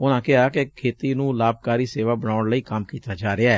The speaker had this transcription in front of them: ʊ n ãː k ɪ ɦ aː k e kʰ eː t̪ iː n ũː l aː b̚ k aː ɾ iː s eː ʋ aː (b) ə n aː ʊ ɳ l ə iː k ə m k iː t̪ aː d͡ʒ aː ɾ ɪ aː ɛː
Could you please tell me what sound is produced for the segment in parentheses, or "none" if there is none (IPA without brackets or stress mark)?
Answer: b